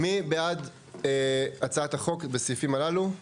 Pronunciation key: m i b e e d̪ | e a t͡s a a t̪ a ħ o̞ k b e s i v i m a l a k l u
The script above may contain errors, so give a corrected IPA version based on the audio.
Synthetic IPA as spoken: m i b e a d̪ | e a t͡s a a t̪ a χ o̞ k b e s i f i m a l a l u